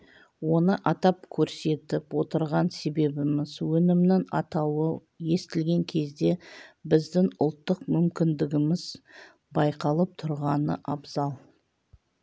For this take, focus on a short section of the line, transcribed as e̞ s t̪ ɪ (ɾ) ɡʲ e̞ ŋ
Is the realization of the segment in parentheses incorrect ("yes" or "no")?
yes